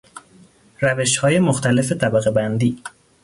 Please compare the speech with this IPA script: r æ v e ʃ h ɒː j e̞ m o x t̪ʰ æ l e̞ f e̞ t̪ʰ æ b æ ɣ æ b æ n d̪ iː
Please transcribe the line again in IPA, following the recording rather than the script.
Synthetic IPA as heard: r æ v e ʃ h ɒː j e̞ m o x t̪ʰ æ l e̞ f e̞ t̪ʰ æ b æ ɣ e b æ n d̪ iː